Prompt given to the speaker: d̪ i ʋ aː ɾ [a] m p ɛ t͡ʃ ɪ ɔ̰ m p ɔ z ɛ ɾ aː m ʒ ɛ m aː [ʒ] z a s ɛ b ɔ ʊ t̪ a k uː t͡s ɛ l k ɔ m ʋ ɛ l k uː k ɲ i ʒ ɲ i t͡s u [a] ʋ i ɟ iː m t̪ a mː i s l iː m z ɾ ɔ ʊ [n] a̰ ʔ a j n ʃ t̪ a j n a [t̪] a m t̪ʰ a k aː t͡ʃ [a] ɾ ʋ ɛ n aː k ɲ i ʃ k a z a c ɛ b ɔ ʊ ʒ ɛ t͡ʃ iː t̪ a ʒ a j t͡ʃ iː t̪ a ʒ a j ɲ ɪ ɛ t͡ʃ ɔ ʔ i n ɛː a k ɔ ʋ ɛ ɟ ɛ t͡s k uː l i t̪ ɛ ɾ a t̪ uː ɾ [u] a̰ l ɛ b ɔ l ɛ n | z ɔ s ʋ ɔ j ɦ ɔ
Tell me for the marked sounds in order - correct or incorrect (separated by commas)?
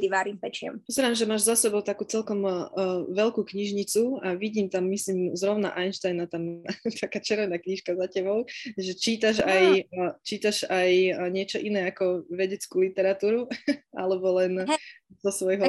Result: incorrect, correct, correct, correct, correct, incorrect, correct